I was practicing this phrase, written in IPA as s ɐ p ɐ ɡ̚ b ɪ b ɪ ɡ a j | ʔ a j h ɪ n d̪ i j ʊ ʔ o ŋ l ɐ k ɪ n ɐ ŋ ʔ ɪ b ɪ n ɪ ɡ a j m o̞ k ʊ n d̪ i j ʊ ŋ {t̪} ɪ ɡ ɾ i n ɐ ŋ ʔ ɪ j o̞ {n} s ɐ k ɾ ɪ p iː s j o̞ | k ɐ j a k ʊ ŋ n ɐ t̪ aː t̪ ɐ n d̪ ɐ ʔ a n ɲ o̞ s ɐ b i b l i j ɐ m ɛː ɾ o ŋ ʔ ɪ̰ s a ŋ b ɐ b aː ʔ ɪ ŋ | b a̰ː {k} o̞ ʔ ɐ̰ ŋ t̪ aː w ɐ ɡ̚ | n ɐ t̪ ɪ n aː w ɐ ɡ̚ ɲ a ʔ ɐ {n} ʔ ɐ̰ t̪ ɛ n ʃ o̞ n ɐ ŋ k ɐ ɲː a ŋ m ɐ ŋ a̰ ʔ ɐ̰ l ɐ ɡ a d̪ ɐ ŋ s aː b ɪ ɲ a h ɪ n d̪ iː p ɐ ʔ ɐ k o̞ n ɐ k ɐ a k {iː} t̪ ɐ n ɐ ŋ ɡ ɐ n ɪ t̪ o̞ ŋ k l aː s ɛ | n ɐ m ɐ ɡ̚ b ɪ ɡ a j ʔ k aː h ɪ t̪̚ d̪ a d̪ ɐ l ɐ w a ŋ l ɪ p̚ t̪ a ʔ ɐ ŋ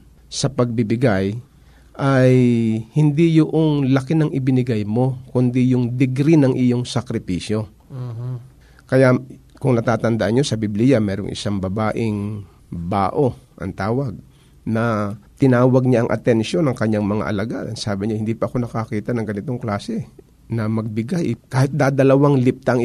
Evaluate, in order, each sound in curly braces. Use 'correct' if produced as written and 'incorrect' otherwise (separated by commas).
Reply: incorrect, incorrect, incorrect, incorrect, correct